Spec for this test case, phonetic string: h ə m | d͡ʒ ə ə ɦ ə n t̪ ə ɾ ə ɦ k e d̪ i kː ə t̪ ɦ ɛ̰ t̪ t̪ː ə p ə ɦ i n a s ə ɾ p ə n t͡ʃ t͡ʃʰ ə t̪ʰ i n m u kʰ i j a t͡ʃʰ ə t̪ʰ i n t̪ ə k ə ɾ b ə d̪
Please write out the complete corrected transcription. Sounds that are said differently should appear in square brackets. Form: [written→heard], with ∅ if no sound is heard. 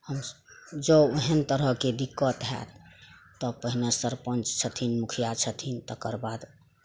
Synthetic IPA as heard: h ə m | d͡ʒ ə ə ɦ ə n t̪ ə ɾ ə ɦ k e d̪ i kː ə t̪ ɦ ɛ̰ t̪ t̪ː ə p ə ɦ i n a s ə ɾ p ə n t͡ʃ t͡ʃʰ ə t̪ʰ i n m u kʰ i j a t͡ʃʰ ə t̪ʰ i n t̪ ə k ə ɾ b [ə→a] d̪